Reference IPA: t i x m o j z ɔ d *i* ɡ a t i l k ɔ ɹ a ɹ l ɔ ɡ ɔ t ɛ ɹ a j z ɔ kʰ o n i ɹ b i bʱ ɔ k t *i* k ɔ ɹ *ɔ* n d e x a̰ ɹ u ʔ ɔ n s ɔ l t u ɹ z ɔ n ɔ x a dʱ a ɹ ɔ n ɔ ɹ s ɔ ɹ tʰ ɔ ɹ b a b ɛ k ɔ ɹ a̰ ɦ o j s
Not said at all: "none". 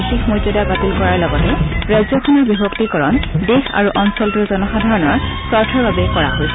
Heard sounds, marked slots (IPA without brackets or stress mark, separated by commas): a, i, ɔ